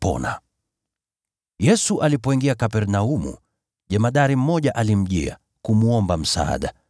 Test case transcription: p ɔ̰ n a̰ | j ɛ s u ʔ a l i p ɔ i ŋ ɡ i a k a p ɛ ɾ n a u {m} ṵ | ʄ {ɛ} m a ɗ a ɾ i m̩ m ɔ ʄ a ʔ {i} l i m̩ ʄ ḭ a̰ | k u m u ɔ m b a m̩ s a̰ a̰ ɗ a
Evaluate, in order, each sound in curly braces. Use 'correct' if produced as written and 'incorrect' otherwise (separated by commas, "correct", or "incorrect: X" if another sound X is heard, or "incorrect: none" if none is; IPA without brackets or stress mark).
correct, correct, incorrect: a